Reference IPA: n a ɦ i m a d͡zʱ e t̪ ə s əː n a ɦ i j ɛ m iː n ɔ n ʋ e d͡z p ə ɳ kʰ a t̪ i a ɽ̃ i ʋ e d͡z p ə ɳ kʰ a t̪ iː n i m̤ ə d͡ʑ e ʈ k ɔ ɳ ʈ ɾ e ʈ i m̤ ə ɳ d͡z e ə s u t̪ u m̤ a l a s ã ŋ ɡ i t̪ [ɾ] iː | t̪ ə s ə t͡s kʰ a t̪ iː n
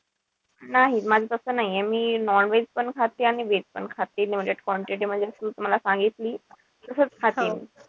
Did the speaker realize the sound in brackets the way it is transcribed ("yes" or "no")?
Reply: no